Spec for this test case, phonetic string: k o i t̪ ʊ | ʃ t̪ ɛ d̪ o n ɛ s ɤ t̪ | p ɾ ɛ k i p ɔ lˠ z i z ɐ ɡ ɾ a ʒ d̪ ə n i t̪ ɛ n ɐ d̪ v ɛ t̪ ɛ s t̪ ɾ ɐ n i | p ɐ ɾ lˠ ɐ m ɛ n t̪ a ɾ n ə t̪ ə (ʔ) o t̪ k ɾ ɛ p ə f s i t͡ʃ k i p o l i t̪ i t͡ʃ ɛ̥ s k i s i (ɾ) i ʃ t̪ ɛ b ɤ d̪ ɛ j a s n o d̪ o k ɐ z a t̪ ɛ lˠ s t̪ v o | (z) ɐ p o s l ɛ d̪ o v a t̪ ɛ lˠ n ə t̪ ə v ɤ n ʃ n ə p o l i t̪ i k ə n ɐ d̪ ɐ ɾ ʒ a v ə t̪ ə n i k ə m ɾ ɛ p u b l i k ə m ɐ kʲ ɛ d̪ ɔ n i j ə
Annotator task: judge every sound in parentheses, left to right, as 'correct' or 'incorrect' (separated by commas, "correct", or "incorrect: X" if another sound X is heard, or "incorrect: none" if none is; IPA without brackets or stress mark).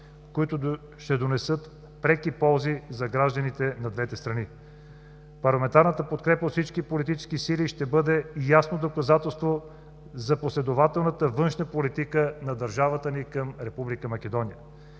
incorrect: p, incorrect: l, correct